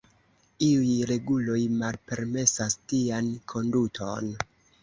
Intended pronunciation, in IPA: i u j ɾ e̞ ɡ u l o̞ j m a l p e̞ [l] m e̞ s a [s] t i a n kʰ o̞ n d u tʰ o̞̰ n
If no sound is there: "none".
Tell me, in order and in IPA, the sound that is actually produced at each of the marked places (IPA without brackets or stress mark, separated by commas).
ɾ, s